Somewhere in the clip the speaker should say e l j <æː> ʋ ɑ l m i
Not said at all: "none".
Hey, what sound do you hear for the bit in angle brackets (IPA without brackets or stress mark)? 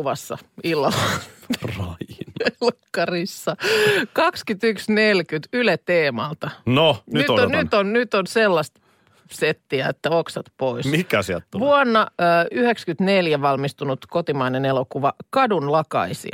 æ